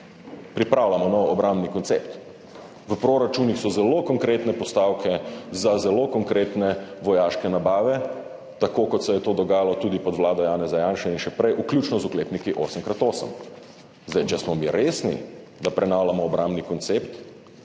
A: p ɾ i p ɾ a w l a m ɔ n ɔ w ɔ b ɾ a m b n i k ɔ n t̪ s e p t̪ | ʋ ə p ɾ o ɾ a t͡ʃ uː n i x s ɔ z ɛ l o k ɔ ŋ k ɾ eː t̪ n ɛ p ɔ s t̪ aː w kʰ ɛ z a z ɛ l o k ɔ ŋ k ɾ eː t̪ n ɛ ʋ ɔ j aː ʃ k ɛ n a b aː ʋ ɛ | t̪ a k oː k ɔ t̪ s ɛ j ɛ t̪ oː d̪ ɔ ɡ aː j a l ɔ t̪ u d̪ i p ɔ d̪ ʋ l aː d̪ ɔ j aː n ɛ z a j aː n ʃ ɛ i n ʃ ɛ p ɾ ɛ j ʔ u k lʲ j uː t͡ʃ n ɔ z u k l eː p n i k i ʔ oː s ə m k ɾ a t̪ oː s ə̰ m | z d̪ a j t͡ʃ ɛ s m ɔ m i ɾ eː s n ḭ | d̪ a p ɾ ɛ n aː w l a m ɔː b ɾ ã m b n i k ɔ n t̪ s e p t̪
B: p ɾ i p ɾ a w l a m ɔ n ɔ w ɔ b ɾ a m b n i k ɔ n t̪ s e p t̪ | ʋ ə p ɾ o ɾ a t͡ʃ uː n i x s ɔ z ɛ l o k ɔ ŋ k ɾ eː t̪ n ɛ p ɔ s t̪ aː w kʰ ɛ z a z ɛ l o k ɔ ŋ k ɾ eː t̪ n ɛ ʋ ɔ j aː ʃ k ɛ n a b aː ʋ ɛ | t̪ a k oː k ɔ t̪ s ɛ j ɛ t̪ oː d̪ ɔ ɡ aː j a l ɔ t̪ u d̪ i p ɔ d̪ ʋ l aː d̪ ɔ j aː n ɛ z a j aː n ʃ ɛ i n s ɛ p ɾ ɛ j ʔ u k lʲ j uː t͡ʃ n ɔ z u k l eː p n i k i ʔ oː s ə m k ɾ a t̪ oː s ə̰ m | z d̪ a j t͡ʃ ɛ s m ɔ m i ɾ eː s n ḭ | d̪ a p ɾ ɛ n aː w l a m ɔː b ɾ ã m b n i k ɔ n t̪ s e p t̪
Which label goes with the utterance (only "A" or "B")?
A